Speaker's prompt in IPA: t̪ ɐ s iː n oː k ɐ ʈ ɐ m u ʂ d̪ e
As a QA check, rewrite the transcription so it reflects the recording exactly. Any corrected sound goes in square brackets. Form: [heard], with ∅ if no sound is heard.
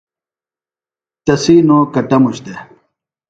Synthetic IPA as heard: t̪ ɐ s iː n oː k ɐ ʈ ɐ m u [ɕ] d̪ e

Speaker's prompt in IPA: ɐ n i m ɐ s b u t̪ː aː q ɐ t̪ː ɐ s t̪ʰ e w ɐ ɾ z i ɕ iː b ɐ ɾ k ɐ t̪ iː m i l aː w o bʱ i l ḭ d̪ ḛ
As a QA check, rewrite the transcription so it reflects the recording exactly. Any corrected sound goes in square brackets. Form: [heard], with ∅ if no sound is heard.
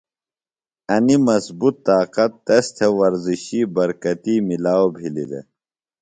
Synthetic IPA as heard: ɐ n i m ɐ s b u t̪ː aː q ɐ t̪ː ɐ s t̪ʰ e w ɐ ɾ z i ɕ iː b ɐ ɾ k ɐ t̪ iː m i l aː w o bʱ i l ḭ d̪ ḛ

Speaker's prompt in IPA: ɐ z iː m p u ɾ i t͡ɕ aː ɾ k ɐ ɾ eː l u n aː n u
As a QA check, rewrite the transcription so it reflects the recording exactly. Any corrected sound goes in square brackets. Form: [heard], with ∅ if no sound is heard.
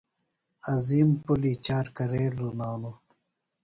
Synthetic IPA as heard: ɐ z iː m p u [l] i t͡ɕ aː ɾ k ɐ ɾ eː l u n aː n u

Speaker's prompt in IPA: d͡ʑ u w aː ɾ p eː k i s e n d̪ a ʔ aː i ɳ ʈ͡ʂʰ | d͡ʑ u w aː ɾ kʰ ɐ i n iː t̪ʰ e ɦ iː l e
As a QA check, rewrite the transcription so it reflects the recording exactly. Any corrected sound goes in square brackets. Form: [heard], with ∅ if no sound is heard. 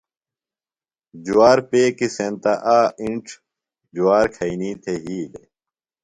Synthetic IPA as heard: d͡ʑ u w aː ɾ p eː k i s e n [t̪] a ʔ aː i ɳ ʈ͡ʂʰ | d͡ʑ u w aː ɾ kʰ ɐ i n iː t̪ʰ e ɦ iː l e

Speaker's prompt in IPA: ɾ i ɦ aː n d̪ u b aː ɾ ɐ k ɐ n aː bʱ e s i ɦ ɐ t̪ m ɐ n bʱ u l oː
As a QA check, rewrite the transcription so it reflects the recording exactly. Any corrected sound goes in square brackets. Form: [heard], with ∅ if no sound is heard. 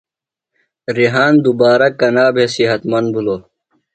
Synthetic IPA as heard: ɾ i ɦ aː n d̪ u b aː ɾ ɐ k ɐ n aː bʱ e s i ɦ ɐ t̪ m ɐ n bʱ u l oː

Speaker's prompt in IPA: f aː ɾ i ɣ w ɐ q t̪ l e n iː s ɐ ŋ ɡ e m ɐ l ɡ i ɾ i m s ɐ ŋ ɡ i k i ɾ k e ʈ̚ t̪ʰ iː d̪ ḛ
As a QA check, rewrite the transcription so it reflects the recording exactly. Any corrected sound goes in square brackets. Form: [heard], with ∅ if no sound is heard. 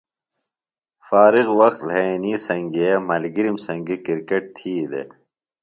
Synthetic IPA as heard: f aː ɾ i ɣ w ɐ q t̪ l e n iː s ɐ ŋ ɡ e m ɐ l ɡ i ɾ i m s ɐ ŋ ɡ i k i ɾ k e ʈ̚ t̪ʰ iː d̪ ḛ

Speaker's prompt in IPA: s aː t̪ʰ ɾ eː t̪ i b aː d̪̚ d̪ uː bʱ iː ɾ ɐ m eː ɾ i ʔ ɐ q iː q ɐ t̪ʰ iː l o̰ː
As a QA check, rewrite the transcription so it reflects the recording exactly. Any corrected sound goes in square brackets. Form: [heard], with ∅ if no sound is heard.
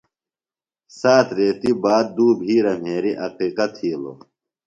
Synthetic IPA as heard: s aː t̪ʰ ɾ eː t̪ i b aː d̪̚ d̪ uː bʱ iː ɾ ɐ m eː ɾ i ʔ ɐ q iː q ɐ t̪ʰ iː l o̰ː

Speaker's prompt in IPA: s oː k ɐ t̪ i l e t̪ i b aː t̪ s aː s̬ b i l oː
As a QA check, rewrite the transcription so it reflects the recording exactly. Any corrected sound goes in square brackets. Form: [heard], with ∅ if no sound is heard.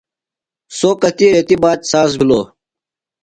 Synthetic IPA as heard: s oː k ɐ t̪ i [ɾ] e t̪ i b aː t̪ s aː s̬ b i l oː

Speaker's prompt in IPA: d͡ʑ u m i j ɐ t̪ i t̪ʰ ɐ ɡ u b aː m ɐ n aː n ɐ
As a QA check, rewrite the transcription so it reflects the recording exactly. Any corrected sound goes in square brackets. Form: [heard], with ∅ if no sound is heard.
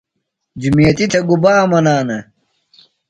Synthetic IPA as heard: d͡ʑ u m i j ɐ t̪ i t̪ʰ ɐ ɡ u b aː m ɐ n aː n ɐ

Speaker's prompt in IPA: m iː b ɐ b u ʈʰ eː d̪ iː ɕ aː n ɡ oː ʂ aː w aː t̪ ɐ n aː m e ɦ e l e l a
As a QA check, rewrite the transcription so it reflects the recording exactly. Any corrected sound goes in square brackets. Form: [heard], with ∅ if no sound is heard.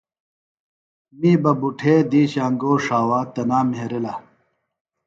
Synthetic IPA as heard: m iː b ɐ b u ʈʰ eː d̪ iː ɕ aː [ŋ] ɡ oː ʂ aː w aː t̪ ɐ n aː m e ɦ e [ɾ] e l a

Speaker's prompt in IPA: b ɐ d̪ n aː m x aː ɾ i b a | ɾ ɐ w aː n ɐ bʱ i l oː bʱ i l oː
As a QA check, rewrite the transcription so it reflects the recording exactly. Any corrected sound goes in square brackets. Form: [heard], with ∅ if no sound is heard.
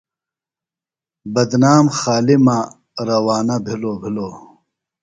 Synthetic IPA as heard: b ɐ d̪ n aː m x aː [l] i [m] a | ɾ ɐ w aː n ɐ bʱ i l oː bʱ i l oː

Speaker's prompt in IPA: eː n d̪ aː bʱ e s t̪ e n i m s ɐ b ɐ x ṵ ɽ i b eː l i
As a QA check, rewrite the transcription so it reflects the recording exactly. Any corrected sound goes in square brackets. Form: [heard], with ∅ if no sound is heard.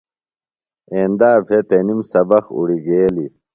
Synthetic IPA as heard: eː n d̪ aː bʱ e [∅] t̪ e n i m s ɐ b ɐ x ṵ ɽ i [ɡ] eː l i

